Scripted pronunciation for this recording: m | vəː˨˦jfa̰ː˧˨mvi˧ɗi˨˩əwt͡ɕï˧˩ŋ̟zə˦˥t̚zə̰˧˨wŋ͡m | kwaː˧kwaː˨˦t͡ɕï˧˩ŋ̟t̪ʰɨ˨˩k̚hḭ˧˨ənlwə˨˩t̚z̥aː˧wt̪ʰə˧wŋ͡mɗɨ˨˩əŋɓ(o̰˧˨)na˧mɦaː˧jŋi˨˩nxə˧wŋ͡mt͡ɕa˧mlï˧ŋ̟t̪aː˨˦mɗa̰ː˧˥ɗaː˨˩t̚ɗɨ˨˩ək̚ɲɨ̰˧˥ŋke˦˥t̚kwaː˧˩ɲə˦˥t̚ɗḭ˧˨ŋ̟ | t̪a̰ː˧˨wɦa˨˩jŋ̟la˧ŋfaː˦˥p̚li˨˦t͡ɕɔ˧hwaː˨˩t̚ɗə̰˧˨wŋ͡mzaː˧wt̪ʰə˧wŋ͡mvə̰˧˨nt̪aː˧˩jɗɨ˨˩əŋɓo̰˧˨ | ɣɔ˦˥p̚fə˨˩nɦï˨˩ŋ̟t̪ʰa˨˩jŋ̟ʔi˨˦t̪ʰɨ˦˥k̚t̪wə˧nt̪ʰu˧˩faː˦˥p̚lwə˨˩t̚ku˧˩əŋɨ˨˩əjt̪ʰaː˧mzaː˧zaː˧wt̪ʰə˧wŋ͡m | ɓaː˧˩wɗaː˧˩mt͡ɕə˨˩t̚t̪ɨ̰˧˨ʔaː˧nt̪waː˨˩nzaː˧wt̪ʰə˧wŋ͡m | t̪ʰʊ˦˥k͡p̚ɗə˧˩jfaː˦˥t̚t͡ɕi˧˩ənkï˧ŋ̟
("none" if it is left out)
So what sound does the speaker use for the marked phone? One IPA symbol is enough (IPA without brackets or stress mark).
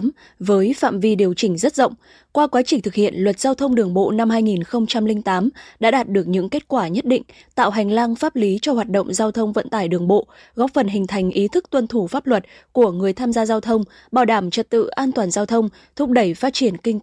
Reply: o̰˧˨